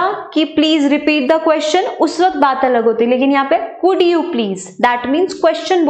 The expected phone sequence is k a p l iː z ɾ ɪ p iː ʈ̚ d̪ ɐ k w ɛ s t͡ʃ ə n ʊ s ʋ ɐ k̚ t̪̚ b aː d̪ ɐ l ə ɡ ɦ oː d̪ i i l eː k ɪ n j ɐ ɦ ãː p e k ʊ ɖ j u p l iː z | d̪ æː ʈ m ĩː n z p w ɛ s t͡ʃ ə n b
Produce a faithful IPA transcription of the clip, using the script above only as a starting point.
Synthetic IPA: k i p l iː z ɾ ɪ p iː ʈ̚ d̪ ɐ k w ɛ s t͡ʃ ə n ʊ s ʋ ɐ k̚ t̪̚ b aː t̪ ɐ l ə ɡ ɦ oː t̪ i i l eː k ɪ n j ɐ ɦ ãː p e k ʊ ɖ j u p l iː z | d̪ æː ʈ m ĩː n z k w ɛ s t͡ʃ ə n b